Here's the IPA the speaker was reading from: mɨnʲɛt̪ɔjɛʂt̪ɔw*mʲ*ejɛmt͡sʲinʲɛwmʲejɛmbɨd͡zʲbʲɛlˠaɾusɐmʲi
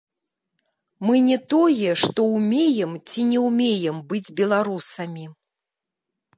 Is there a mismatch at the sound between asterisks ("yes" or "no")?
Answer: no